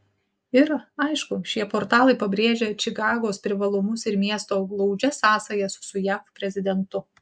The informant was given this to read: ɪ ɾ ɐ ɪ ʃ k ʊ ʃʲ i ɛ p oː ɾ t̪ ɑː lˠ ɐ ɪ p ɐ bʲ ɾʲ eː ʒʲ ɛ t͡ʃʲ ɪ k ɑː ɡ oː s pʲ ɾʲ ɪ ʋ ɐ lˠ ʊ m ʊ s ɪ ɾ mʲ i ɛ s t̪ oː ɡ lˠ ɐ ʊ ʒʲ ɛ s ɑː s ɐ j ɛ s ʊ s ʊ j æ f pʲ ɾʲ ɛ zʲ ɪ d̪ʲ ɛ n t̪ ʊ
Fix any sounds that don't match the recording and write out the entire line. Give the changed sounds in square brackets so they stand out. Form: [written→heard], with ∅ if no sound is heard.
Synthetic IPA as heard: ɪ ɾ ɐ ɪ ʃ k ʊ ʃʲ i ɛ p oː ɾ t̪ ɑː lˠ ɐ ɪ p ɐ bʲ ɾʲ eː ʒʲ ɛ t͡ʃʲ ɪ k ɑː ɡ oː s pʲ ɾʲ ɪ ʋ ɐ lˠ ʊ m ʊ s ɪ ɾ mʲ i ɛ s t̪ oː ɡ lˠ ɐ ʊ [ʒʲ→d͡ʒʲ] ɛ s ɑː s ɐ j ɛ s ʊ s ʊ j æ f pʲ ɾʲ ɛ zʲ ɪ d̪ʲ ɛ n t̪ ʊ